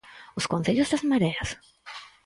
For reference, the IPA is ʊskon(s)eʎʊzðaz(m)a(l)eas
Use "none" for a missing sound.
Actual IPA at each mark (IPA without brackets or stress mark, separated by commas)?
θ, m, ɾ